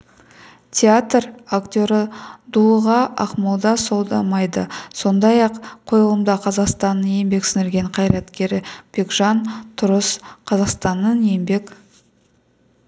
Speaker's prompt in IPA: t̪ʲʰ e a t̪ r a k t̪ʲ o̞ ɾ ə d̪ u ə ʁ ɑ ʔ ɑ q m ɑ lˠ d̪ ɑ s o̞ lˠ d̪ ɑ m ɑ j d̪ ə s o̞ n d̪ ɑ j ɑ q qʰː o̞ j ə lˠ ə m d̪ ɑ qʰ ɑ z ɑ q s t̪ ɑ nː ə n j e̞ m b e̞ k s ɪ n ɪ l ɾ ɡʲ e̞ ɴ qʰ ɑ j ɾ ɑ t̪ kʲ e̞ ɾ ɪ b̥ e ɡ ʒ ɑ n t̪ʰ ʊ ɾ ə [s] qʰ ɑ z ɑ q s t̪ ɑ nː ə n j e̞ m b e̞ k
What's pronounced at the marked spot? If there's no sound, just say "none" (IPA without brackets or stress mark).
s